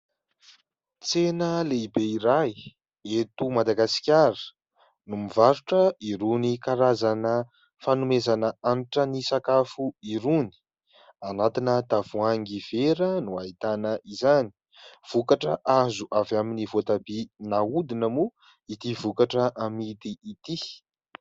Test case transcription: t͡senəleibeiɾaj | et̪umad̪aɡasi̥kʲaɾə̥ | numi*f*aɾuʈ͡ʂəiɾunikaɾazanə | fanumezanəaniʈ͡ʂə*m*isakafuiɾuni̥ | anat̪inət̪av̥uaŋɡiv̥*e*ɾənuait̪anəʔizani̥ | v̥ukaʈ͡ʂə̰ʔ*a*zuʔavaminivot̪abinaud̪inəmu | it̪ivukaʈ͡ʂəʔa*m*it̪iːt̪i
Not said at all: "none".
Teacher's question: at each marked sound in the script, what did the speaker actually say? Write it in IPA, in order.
v, n, e, a, m

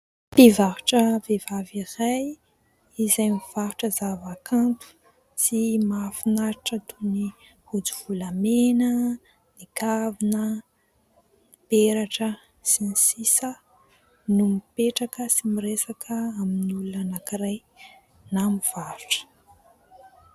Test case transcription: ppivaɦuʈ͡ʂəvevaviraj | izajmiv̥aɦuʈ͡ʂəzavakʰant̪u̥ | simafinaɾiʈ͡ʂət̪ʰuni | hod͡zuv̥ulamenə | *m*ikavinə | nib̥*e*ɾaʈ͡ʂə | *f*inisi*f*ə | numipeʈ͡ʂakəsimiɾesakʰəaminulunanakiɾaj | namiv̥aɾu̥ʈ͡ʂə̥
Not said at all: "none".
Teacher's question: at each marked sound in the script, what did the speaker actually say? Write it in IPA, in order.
n, e, s, s

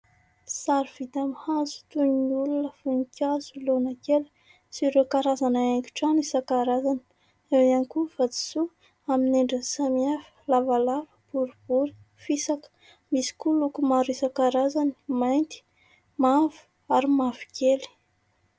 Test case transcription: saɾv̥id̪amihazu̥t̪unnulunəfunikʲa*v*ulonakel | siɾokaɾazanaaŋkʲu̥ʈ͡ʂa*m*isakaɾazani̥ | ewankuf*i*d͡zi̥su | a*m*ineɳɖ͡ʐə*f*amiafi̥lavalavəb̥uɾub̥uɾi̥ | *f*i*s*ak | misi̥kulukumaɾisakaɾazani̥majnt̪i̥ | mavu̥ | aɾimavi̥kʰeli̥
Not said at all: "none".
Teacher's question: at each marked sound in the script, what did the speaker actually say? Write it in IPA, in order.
z, n, a, m, s, f, s

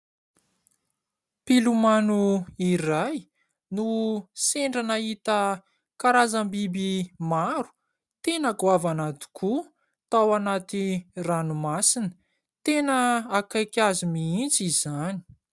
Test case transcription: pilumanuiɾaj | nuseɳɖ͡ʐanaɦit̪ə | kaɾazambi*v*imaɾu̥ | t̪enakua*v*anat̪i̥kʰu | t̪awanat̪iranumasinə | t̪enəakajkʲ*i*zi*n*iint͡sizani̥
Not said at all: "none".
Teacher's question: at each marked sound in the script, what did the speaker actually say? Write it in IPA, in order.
b, v, a, m

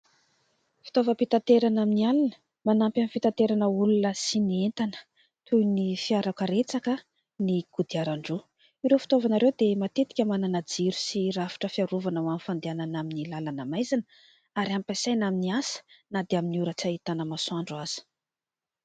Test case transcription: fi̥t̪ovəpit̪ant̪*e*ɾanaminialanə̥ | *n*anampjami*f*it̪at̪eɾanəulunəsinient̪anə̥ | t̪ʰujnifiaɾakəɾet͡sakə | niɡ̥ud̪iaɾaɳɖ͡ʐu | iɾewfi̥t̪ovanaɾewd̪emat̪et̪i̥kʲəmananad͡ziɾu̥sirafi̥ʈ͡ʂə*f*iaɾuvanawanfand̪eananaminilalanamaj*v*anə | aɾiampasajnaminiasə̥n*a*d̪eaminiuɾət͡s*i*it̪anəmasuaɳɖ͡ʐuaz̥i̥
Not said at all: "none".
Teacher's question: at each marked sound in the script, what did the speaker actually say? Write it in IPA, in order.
e, m, f, f, z, a, a

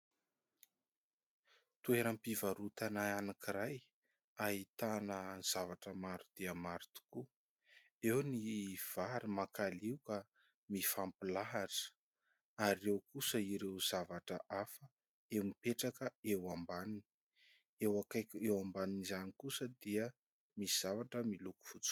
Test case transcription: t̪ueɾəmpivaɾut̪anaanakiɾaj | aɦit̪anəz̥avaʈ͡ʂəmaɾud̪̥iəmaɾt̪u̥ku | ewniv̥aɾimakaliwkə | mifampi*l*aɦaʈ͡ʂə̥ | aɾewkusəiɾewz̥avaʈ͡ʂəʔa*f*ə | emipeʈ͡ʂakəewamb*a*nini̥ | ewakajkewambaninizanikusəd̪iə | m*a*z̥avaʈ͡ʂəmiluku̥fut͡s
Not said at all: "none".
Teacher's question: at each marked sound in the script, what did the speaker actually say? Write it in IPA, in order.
l, f, a, i

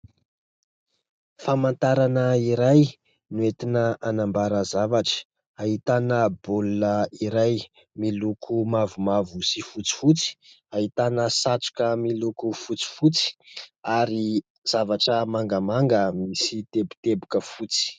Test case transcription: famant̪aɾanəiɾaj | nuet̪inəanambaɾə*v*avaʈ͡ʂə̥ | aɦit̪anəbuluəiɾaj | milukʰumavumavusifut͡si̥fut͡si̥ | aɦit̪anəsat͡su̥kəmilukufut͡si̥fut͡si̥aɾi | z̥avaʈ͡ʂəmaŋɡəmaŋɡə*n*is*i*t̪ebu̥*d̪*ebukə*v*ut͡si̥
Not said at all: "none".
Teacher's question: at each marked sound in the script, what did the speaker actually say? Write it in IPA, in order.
z, m, i, t̪, f

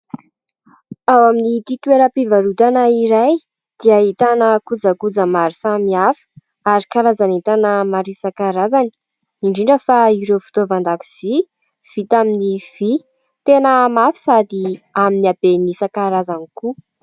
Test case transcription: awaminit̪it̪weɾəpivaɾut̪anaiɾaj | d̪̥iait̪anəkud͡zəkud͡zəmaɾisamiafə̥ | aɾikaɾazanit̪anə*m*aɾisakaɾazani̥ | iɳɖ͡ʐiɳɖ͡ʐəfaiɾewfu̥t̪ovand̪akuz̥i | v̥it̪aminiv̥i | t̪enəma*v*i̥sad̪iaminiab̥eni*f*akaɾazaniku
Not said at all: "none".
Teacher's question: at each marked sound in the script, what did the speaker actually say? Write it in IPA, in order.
m, f, s

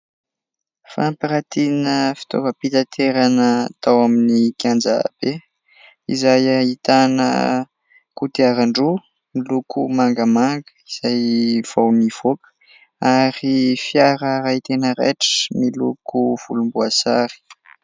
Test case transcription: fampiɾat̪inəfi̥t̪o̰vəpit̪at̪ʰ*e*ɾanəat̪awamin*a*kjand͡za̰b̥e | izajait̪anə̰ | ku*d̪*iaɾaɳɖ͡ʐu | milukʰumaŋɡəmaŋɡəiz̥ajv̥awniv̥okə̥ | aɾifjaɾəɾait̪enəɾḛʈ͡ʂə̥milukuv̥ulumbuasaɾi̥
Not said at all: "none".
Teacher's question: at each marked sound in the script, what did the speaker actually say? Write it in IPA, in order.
e, i, t̪

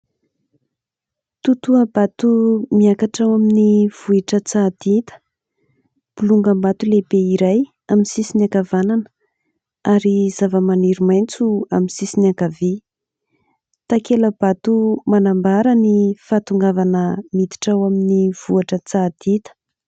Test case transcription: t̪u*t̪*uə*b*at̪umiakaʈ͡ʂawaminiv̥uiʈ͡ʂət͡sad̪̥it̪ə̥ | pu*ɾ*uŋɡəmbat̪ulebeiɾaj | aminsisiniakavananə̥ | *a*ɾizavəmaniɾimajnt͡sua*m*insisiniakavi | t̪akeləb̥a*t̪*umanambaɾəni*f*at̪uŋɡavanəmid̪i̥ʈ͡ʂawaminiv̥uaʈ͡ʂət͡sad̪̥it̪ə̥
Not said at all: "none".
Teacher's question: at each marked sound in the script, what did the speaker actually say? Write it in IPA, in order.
t̪, b, l, a, m, t̪, f

